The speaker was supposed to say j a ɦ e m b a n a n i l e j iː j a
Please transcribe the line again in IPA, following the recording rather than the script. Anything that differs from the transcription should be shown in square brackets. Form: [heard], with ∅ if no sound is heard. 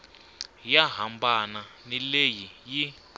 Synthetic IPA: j a ɦ [a] m b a n a n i l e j [i] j [i]